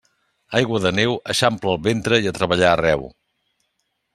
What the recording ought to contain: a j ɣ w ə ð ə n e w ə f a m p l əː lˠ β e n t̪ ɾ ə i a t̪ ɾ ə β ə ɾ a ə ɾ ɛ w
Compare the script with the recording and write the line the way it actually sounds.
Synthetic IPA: a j ɣ w ə ð ə n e w ə ʃ a m p l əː lˠ β e n t̪ ɾ ə i ə t̪ ɾ ə β ə ʎ a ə r ɛ w

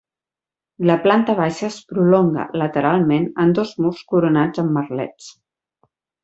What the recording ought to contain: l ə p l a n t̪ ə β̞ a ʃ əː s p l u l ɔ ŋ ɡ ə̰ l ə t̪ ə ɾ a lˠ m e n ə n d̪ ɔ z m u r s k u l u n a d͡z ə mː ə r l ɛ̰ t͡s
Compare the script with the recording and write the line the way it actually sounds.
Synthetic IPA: l ə p l a n t̪ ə β̞ a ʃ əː s p ɾ u l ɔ ŋ ɡ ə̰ l ə t̪ ə ɾ a lˠ m e n ə n d̪ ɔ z m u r s k u ɾ u n a d͡z ə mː ə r l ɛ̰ t͡s

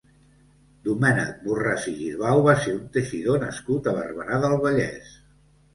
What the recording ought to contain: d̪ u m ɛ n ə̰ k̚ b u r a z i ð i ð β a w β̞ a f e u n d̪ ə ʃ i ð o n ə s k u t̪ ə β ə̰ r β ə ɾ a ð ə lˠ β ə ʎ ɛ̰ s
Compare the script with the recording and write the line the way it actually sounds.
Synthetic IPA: d̪ u m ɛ n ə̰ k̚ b u r a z i ʒ i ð β a w β̞ a s e u n t̪ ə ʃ i ð o n ə s k u t̪ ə β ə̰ r β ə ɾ a ð ə lˠ β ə ʎ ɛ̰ s

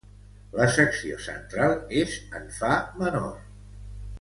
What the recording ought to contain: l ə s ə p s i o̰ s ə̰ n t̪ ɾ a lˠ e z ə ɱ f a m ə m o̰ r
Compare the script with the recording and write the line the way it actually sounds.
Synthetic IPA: l ə s ə k s i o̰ s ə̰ n t̪ ɾ a lˠ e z ə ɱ f a m ə n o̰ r

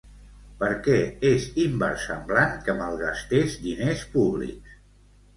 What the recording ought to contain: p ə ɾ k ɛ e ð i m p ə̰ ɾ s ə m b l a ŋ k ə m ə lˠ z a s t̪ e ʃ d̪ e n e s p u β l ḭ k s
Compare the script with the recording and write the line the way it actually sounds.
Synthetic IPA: p ə ɾ k ɛ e z i m b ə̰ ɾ s ə m b l a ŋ k ə m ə lˠ ɣ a s t̪ e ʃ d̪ i n e s p u β l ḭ k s

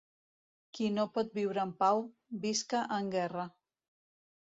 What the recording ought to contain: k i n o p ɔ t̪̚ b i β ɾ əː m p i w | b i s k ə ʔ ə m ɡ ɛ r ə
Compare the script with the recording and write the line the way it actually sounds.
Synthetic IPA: k i n o p ɔ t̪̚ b i w ɾ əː m p a w | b i s k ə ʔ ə ŋ ɡ ɛ r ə

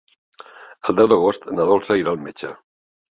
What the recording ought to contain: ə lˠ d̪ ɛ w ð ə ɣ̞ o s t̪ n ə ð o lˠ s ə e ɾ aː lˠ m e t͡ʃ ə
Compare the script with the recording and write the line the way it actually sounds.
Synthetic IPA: ə lˠ d̪ ɛ w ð ə ɣ̞ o s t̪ n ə ð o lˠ s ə i ɾ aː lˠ m e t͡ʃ ə

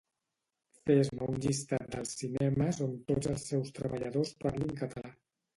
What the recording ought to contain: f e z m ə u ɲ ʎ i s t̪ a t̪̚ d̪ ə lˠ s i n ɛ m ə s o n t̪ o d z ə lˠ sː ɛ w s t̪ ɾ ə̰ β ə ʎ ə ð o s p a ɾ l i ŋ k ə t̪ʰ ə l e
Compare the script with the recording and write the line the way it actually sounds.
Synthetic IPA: f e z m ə u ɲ ʎ i s t̪ a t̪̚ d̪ ə lˠ s i n ɛ m ə s o n t̪ o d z ə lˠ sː ɛ w s t̪ ɾ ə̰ β ə ʎ ə ð o s p a ɾ l i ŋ k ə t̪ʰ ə l a

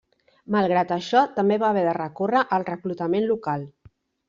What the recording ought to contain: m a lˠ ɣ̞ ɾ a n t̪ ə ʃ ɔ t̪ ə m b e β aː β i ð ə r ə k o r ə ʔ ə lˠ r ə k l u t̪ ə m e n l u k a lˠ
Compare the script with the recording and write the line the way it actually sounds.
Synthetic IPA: m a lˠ ɣ̞ ɾ a t̪ ə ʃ ɔ t̪ ə m b e β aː β ɛ ð ə r ə k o r ə ʔ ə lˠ r ə k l u t̪ ə m e n l u k a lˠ

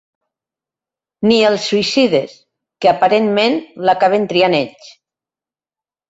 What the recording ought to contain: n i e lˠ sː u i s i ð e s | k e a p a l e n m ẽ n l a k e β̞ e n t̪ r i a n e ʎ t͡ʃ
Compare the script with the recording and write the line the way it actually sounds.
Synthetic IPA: n i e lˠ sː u i s i ð e s | k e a p a ɾ e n m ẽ n l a k a β̞ e n t̪ ɾ i a n e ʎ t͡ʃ

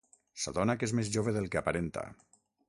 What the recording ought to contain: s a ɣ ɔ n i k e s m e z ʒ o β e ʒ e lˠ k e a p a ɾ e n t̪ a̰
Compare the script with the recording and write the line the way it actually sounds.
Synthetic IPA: s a ð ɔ n a k e z m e z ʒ o β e ð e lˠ k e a p a ɾ e n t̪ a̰

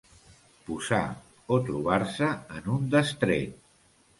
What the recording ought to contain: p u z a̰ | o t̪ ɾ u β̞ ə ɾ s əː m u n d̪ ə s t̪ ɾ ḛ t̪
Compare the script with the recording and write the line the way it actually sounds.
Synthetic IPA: p u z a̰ | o t̪ ɾ u β̞ a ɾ s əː n u n d̪ ə s t̪ ɾ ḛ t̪

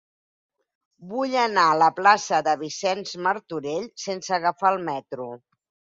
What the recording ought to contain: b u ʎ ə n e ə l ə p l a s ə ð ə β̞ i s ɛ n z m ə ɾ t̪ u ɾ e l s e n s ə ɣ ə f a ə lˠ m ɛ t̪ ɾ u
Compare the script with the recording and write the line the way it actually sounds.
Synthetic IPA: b u ʎ ə n a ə l ə p l a s ə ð ə β̞ i s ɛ n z m ə ɾ t̪ u ɾ e ʎ s e n s ə ɣ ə f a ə lˠ m ɛ t̪ ɾ u

